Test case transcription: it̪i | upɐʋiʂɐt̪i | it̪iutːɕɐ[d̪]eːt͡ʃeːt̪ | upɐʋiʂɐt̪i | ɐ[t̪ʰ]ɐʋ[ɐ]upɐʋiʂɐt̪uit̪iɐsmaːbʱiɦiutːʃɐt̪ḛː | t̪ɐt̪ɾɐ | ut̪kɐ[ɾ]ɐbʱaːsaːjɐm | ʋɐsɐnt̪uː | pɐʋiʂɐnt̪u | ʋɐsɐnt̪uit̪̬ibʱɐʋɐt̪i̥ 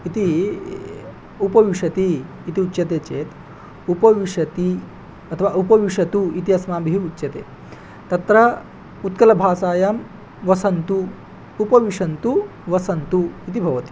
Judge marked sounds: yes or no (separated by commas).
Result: no, yes, no, no